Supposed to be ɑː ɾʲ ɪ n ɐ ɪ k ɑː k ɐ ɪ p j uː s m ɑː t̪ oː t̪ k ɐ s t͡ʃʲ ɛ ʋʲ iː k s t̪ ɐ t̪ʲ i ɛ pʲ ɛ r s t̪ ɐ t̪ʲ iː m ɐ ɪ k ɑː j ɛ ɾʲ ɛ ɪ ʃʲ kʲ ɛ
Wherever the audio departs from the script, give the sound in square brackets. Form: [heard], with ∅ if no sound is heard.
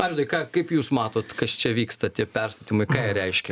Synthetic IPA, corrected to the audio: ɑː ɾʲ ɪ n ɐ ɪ k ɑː k ɐ ɪ p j uː s m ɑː t̪ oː t̪ k ɐ s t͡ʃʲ ɛ ʋʲ iː k s t̪ ɐ t̪ʲ i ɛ pʲ ɛ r s t̪ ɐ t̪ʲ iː m ɐ ɪ k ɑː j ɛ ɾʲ ɛ ɪ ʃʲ kʲ ɛ